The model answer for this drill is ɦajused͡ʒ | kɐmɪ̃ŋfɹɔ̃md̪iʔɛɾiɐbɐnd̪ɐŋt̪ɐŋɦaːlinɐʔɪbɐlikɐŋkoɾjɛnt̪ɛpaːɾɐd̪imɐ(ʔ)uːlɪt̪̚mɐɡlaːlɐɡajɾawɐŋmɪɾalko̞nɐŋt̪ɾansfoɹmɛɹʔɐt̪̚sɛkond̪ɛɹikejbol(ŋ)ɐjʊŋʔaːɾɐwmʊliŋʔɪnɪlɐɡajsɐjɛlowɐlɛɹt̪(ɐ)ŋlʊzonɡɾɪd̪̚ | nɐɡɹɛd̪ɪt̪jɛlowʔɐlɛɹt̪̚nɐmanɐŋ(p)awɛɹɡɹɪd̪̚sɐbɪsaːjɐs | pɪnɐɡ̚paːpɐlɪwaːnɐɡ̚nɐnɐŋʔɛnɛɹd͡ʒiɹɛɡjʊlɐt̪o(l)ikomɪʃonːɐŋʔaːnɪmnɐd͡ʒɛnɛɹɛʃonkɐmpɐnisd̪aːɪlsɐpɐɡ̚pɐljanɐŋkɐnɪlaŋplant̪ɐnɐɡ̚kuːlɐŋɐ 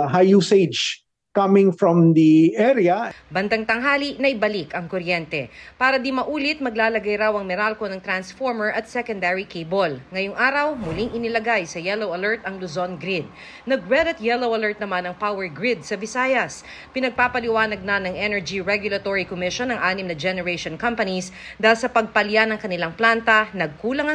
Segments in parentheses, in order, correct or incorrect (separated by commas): correct, correct, correct, correct, incorrect